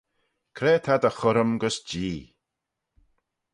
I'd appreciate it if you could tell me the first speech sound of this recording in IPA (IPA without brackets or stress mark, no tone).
kʰ